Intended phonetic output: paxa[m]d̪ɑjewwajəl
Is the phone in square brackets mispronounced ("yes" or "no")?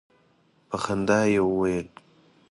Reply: yes